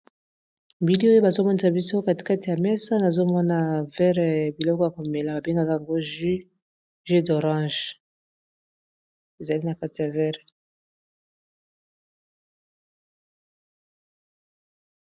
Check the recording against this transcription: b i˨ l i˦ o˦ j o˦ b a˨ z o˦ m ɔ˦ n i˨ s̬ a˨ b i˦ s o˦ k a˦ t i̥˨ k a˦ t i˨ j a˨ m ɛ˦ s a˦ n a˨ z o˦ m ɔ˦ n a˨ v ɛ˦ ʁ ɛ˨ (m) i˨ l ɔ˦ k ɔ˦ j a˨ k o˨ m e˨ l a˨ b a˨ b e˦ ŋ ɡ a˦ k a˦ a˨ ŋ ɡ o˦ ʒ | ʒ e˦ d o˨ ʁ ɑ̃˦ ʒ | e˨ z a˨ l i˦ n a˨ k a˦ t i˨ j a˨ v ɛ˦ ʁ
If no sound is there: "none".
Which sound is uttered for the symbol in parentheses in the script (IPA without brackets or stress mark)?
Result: b